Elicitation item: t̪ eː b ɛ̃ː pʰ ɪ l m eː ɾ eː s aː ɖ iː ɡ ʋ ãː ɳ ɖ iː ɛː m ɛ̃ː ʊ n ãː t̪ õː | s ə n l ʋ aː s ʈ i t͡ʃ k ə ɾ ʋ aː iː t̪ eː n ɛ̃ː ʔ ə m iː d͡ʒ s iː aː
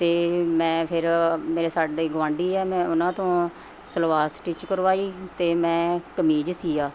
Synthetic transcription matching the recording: t̪ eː m ɛ̃ː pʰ ɪ ɾ m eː ɾ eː s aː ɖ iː ɡ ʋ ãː ɳ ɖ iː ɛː m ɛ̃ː ʊ n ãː t̪ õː | s ə l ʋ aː s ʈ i t͡ʃ k ə ɾ ʋ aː iː t̪ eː m ɛ̃ː k ə m iː d͡ʒ s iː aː